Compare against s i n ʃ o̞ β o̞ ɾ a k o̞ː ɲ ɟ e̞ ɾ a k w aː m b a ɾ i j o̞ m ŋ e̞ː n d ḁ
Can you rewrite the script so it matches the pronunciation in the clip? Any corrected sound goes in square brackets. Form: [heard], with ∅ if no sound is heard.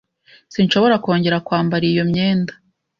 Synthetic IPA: s i n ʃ o̞ β o̞ ɾ a k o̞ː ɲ ɟ e̞ ɾ a k w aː m b a ɾ i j o̞ m [ɲ] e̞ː n d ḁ

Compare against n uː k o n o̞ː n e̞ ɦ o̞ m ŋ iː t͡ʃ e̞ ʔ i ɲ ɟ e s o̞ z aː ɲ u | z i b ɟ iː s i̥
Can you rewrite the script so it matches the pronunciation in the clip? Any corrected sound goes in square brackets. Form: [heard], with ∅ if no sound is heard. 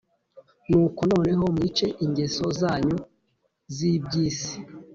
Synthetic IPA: n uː k o n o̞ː n e̞ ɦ o̞ m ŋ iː t͡ʃ e̞ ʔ i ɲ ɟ e s o̞ z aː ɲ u | z i b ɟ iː s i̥

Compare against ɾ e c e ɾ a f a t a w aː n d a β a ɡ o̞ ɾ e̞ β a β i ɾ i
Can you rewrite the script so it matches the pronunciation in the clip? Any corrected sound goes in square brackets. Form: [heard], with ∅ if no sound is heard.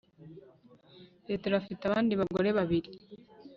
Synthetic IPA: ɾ e [t] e ɾ a f [i] t a [β] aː n d [i] β a ɡ o̞ ɾ e̞ β a β i ɾ i

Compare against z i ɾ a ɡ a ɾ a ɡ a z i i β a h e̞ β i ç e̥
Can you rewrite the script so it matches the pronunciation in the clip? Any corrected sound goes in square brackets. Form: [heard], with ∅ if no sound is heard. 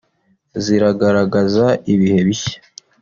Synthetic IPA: z i ɾ a ɡ a ɾ a ɡ a z [a] i β [i] h e̞ β i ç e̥

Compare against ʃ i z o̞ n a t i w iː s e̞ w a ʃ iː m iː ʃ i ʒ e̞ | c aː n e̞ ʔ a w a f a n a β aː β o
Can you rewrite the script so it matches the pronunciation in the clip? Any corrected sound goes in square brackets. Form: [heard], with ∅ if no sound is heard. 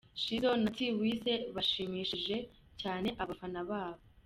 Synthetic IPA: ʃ i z o̞ n a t i w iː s e̞ [β] a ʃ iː m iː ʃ i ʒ e̞ | c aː n e̞ ʔ a [β] a f a n a β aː β o

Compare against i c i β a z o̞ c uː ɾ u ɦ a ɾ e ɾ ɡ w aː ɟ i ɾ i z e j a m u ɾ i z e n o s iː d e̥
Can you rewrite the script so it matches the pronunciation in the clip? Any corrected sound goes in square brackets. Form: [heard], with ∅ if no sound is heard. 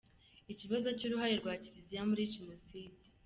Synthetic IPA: i c i β a z o̞ c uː ɾ u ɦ a ɾ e ɾ ɡ w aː [c] i ɾ i z [i] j a m u ɾ i [ʒ] e n o s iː d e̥

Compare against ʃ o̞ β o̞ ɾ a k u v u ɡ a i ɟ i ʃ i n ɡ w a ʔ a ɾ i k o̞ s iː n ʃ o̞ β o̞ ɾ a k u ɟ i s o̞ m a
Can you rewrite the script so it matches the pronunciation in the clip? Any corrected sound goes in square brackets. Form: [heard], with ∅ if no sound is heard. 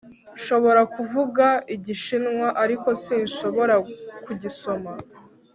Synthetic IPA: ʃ o̞ β o̞ ɾ a k u v u ɡ a i ɟ i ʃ i n [ŋ] w a ʔ a ɾ i k o̞ s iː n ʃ o̞ β o̞ ɾ a k u ɟ i s o̞ m a

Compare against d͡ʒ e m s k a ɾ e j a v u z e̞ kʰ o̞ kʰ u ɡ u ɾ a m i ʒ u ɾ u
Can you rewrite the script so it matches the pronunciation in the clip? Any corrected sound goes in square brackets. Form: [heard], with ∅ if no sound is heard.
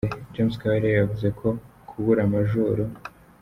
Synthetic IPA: d͡ʒ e m s k a ɾ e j a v u z e̞ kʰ o̞ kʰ u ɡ u ɾ a m [a] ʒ u ɾ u

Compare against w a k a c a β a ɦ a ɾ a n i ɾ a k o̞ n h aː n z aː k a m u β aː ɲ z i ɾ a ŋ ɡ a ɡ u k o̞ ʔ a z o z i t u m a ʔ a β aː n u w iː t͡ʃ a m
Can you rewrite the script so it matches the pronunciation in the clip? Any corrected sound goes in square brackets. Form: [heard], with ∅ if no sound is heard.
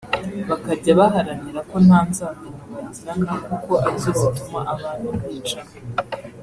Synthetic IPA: [β] a k a [ɟ] a β a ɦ a ɾ a n i ɾ a k o̞ n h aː n z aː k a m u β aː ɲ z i ɾ a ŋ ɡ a [k] u k o̞ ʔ a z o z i t u m a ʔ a β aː n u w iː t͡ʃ a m

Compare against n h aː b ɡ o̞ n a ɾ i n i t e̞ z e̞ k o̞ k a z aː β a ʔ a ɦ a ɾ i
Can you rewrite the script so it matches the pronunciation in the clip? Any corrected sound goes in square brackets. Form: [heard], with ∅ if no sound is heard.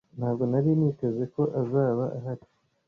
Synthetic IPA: n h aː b ɡ o̞ n a ɾ i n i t e̞ z e̞ k o̞ [ʔ] a z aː β a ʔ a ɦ a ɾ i

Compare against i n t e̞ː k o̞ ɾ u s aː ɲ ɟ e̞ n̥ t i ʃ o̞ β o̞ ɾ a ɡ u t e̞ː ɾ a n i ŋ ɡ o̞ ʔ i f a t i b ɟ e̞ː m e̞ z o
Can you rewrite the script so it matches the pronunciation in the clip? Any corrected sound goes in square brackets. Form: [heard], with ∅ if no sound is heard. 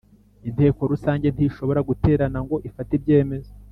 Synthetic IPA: i n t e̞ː k o̞ ɾ u s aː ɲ ɟ e̞ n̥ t i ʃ o̞ β o̞ ɾ a ɡ u t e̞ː ɾ a n [a] ŋ ɡ o̞ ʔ i f a t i b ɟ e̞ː m e̞ z o

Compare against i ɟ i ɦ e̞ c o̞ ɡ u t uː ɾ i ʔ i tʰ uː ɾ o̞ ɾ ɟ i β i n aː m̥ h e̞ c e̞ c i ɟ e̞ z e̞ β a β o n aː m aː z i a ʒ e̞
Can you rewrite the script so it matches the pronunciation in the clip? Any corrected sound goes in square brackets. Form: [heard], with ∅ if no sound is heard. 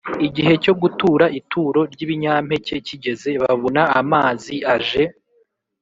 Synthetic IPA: i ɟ i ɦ e̞ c o̞ ɡ u t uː ɾ [a] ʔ i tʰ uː ɾ o̞ ɾ ɟ i β i [ɲ] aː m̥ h e̞ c e̞ c i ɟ e̞ z e̞ β a β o n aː m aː z i a ʒ e̞

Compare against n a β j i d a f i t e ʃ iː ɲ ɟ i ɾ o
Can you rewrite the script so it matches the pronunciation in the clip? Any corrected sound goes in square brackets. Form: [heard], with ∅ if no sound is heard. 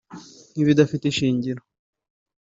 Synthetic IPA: n [i] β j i d a f i t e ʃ iː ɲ ɟ i ɾ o

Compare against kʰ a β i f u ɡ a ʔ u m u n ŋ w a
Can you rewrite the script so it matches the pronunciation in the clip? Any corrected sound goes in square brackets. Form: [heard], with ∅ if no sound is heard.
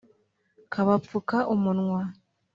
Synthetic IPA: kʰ a β [a] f u [k] a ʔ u m u n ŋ w a

